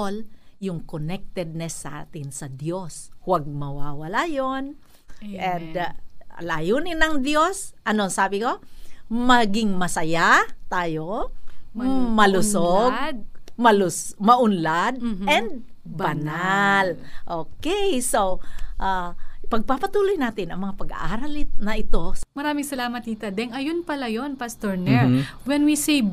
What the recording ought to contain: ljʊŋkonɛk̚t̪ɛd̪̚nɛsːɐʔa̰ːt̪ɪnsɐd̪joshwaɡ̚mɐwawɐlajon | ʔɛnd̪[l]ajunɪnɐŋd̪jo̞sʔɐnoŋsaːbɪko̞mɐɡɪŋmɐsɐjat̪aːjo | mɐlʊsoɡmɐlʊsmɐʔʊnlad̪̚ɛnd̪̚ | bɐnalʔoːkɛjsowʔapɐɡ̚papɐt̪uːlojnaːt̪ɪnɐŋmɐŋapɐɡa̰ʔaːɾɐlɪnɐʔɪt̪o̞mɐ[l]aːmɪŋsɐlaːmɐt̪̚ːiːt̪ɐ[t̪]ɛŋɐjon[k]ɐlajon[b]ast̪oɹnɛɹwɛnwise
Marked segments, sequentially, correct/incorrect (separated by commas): correct, incorrect, incorrect, incorrect, incorrect